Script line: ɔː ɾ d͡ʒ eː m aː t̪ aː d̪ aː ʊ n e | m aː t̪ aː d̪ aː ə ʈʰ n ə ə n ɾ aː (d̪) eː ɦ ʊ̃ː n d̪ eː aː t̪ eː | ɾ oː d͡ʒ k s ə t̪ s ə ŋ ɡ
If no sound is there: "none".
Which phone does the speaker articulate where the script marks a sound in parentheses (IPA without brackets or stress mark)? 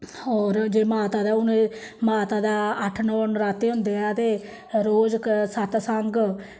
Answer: t̪